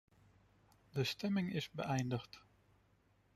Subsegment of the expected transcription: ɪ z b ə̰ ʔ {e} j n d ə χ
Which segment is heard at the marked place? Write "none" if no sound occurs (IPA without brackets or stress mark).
ɛ